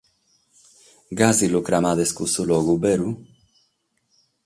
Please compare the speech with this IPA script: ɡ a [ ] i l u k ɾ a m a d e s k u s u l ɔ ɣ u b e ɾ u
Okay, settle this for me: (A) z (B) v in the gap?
A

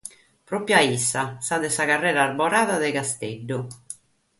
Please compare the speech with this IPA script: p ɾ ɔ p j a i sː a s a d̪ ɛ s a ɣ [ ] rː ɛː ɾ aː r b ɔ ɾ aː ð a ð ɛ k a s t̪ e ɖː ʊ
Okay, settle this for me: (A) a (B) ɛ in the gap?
A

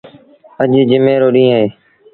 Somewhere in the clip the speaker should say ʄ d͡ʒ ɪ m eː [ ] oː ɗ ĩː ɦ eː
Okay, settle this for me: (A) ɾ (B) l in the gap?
A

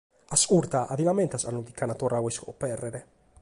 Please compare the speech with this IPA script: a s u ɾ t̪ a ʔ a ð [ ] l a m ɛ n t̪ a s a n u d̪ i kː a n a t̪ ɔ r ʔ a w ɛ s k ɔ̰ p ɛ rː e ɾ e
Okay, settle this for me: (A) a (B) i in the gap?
B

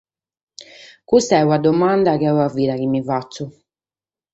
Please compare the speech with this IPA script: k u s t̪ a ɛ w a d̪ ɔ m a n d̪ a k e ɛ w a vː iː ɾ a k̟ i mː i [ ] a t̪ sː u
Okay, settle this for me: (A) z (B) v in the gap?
B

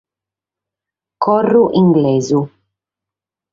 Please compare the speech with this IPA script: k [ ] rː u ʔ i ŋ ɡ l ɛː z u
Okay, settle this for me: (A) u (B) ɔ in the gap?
B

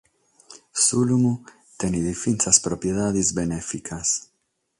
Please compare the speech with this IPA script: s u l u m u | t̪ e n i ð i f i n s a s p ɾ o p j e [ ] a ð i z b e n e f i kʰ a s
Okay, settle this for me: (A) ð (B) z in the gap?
A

